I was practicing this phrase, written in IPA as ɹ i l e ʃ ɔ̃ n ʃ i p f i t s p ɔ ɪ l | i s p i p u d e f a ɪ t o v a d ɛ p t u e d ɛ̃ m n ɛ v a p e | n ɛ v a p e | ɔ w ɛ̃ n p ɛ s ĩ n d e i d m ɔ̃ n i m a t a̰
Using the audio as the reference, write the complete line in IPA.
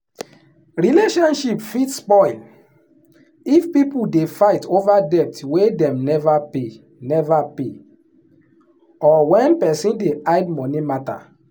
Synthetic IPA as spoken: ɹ i l e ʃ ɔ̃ n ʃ i p f i t s p ɔ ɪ l | i f p i p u d e f a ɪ t o v a d ɛ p t w e d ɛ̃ m n ɛ v a p e | n ɛ v a p e | ɔ w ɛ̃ n p ɛ s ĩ n d e a d m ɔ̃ n i m a t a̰